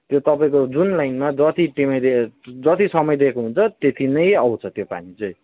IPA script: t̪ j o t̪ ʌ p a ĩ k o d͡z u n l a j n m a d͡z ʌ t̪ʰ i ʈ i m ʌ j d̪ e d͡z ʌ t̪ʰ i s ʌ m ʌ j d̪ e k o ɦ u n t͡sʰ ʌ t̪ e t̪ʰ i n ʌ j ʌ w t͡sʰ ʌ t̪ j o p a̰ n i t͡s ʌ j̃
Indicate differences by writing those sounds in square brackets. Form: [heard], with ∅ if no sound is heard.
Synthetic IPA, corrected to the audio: t̪ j o t̪ ʌ p a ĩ k o d͡z u n l a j n m a d͡z ʌ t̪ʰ i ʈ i m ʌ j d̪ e d͡z ʌ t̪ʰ i s ʌ m ʌ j d̪ e k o ɦ u n t͡sʰ ʌ t̪ e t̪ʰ i n ʌ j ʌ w t͡sʰ ʌ t̪ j o p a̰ n i t͡s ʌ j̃

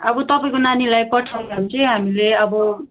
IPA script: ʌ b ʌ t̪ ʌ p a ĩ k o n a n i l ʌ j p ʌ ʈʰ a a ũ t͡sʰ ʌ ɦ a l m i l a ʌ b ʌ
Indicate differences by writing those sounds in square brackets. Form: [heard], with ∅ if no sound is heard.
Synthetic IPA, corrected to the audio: ʌ b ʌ t̪ ʌ p a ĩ k o n a n i l [a] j p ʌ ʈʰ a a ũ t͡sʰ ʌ ɦ a [∅] m i l [e] ʌ b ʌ

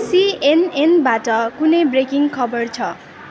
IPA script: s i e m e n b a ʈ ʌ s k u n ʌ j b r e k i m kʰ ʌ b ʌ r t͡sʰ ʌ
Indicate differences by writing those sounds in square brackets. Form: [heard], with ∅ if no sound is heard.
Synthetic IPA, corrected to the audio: s i e [n] e n b a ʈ ʌ [∅] k u n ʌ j b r e k i [ŋ] kʰ ʌ b ʌ r t͡sʰ ʌ

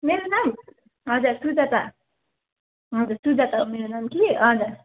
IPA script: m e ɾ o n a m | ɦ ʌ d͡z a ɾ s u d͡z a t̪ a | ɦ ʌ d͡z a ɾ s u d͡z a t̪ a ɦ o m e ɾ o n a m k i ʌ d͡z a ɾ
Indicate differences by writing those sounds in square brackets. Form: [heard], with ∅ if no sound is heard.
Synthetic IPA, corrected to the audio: m e ɾ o n a m | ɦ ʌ d͡z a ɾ s u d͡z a t̪ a | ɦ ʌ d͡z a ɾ s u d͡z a t̪ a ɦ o m e ɾ o n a m k i ʌ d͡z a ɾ

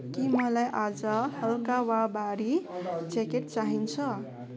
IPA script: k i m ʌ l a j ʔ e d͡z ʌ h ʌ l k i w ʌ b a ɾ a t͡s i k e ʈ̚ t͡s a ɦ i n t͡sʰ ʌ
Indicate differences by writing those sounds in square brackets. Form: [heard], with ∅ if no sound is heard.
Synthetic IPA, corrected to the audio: k i m ʌ l a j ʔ [a] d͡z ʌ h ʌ l k [a] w [a] b a ɾ [i] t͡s [e] k e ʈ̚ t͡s a ɦ i n t͡sʰ ʌ

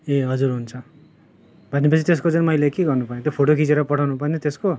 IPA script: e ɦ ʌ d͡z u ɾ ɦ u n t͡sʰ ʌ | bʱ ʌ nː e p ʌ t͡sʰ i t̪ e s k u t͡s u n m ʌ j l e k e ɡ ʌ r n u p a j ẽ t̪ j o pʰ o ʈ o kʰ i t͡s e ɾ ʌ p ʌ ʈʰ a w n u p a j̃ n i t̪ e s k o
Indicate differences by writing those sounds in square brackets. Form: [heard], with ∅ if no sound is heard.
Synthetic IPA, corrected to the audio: e ɦ ʌ d͡z u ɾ ɦ u n t͡sʰ ʌ | bʱ ʌ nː e p ʌ t͡sʰ i t̪ e s k [o] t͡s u n m ʌ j l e k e ɡ ʌ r n u p a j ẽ t̪ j o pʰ o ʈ o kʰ i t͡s e ɾ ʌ p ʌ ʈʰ a w n u p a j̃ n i t̪ e s k o

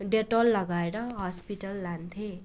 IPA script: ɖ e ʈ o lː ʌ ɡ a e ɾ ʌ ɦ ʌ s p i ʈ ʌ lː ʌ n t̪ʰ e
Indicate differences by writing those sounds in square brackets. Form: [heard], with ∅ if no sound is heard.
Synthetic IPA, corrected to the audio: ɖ e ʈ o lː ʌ ɡ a e ɾ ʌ ɦ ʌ s p i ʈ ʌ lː [a] n t̪ʰ e

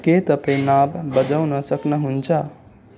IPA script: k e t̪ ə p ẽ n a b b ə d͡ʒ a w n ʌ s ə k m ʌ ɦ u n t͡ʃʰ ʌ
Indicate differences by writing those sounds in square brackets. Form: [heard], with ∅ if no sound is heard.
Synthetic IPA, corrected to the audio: k e t̪ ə p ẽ n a b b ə d͡ʒ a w n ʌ s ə k [n] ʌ ɦ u n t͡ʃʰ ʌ

